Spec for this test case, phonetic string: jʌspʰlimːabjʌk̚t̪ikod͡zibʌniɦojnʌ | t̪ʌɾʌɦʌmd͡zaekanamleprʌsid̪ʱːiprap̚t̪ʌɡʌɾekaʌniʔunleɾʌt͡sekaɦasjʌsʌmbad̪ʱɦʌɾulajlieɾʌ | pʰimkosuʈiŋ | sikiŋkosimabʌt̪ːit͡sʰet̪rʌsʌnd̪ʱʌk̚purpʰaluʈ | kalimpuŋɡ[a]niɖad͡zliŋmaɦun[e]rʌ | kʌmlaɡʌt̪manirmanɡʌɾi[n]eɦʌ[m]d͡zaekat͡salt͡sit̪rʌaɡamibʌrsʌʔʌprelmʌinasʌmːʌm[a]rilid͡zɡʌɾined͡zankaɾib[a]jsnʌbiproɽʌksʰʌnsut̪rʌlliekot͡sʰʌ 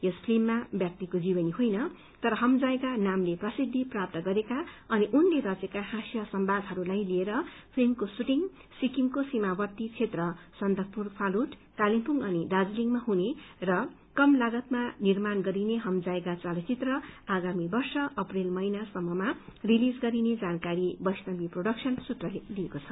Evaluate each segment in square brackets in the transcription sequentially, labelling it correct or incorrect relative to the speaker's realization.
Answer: incorrect: ʌ, correct, correct, correct, correct, incorrect: ʌ

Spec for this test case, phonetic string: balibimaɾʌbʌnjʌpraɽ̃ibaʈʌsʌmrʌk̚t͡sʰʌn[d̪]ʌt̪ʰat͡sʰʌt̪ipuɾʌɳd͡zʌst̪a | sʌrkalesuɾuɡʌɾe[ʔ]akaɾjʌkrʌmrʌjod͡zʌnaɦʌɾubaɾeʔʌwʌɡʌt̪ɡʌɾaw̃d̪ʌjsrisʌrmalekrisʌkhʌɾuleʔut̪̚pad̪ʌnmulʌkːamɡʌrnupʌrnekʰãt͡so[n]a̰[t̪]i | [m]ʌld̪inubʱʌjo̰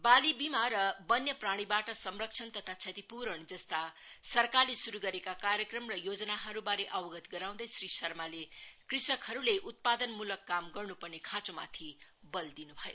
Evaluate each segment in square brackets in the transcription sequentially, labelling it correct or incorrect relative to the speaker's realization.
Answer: incorrect: t̪, incorrect: k, incorrect: m, incorrect: t̪ʰ, incorrect: b

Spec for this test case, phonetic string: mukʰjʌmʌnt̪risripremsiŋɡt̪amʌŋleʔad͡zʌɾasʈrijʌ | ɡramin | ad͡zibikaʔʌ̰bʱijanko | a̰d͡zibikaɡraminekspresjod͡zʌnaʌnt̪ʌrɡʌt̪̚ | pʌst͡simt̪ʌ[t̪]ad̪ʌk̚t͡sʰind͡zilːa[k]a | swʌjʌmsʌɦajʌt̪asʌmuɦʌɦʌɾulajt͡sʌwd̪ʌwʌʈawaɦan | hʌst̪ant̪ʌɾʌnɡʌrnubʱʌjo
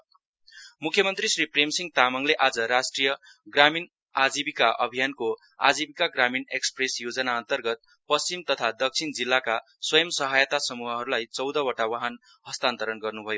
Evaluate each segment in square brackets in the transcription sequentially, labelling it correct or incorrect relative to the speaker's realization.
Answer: incorrect: t̪ʰ, correct

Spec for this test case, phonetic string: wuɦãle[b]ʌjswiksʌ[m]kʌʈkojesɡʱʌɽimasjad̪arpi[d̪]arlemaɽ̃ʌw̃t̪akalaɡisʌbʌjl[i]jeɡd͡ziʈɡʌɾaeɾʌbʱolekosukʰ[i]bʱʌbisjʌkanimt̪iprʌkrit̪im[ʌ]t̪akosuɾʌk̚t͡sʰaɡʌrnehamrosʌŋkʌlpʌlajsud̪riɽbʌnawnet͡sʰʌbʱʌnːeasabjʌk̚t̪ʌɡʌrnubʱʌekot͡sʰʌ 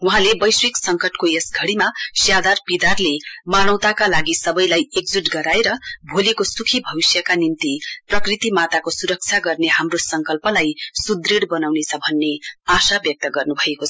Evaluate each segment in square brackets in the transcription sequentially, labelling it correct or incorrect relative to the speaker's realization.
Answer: correct, incorrect: ŋ, correct, incorrect: a, correct, incorrect: a

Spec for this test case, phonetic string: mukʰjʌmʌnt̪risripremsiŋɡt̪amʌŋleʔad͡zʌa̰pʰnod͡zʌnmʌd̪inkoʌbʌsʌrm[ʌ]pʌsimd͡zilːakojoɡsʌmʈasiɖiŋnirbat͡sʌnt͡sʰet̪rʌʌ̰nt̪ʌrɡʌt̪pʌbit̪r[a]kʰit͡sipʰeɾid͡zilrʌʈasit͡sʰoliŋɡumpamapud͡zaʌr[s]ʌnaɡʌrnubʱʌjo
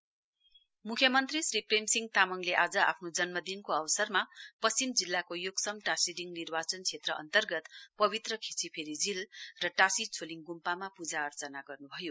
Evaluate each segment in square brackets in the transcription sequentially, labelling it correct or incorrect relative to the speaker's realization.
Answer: incorrect: a, incorrect: ʌ, incorrect: t͡s

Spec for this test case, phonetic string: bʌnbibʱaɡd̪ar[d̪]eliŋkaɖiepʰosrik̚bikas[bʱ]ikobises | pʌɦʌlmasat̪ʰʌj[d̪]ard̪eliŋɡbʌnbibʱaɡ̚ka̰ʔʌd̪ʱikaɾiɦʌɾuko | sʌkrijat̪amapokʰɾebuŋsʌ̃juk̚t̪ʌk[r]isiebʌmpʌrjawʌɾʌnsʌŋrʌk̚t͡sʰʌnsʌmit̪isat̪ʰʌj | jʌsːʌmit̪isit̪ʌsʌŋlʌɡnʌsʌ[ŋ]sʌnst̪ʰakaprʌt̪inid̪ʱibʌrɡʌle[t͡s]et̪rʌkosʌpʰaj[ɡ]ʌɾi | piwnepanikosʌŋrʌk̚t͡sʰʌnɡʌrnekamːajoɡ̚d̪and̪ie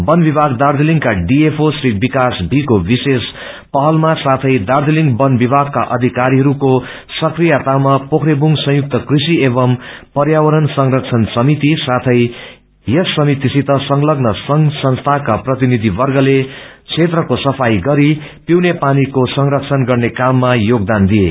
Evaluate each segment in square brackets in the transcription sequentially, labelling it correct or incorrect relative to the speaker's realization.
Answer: correct, correct, correct, correct, correct, incorrect: t͡sʰ, correct

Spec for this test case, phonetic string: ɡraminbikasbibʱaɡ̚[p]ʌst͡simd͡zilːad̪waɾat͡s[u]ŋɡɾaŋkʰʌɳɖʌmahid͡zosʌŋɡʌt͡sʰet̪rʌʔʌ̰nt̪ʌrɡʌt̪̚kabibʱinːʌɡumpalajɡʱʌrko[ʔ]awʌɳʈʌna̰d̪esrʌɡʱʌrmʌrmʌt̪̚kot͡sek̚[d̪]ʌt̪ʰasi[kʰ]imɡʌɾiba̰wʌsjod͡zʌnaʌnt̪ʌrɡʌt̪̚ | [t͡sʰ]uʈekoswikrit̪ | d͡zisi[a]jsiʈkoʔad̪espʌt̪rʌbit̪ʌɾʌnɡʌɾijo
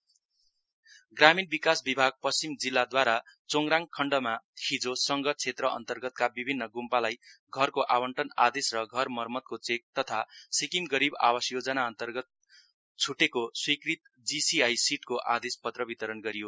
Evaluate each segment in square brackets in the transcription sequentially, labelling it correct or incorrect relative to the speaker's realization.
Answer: correct, incorrect: o, correct, incorrect: t̪, incorrect: k, correct, correct

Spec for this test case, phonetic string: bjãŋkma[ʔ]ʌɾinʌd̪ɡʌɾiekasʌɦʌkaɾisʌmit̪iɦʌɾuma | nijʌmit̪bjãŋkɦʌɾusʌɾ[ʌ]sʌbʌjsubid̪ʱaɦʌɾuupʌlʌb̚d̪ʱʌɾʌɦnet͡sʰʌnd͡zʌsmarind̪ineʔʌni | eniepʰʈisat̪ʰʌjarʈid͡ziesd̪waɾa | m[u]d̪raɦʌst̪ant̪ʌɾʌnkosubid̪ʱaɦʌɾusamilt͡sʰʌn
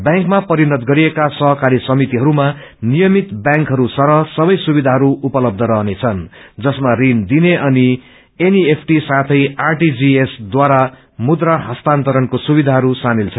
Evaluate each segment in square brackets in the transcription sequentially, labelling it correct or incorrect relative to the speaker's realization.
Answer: incorrect: p, correct, correct

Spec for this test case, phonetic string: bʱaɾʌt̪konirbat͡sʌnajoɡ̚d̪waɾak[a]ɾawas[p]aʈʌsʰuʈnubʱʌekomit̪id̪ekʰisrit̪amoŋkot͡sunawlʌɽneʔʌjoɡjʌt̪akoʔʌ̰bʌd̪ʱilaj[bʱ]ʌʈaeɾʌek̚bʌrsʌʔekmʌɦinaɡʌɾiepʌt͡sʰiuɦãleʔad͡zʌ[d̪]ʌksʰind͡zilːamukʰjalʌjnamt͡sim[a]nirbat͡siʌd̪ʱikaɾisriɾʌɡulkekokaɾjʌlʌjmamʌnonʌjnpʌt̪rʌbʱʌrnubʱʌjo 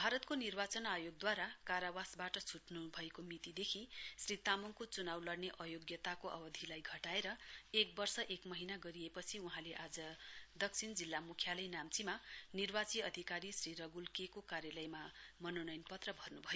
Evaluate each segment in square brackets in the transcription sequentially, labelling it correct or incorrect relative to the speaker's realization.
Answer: correct, incorrect: b, incorrect: ɡʱ, correct, correct

